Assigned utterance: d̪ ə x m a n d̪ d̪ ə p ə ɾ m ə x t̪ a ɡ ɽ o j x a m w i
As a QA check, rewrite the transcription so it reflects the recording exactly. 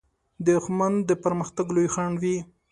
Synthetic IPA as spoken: d̪ ə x m a n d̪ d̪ ə p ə ɾ m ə x t̪ a ɡ l o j x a ɳ w i